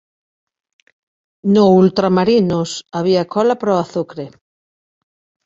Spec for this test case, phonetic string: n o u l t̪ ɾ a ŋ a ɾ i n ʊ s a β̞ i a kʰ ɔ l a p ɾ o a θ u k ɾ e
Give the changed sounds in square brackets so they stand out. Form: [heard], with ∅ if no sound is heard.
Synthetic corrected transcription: n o u l t̪ ɾ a [m] a ɾ i n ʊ s a β̞ i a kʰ ɔ l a p ɾ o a θ u k ɾ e